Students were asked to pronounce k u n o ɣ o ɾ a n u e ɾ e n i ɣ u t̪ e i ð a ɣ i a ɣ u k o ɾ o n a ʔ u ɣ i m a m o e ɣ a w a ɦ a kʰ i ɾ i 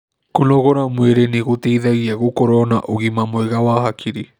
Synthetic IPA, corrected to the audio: k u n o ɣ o ɾ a m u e ɾ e n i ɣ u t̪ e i ð a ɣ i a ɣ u k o ɾ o n a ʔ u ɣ i m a m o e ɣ a w a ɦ a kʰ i ɾ i